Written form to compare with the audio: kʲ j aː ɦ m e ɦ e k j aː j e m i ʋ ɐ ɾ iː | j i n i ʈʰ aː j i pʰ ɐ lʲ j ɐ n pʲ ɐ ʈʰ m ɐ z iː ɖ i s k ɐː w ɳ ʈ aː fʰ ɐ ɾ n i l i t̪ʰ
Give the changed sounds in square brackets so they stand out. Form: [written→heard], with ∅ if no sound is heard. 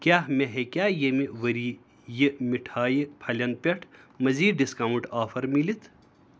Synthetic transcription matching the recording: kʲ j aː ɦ m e ɦ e k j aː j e m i ʋ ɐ ɾ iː | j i [n→m] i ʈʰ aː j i pʰ ɐ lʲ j ɐ n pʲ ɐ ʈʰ m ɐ z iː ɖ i s k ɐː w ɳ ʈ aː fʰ ɐ ɾ [n→m] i l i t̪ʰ